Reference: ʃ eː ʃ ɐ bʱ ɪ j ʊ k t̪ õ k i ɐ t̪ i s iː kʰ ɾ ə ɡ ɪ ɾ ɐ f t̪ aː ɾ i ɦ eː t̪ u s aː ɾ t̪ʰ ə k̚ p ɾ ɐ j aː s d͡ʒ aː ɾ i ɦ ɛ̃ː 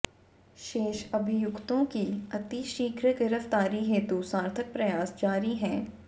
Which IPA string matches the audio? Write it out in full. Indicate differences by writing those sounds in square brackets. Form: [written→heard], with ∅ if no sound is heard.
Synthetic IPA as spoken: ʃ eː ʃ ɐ bʱ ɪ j ʊ k t̪ õ k i ɐ t̪ i [s→ʃ] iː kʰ ɾ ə ɡ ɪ ɾ [ɐ→ə] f t̪ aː ɾ i ɦ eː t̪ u s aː ɾ t̪ʰ ə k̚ p ɾ ɐ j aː s d͡ʒ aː ɾ i ɦ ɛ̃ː